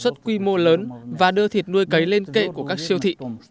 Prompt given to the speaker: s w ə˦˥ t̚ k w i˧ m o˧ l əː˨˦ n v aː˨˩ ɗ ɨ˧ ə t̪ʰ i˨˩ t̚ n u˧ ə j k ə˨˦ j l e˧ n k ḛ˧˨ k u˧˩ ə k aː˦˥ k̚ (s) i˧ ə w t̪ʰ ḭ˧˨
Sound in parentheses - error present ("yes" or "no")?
no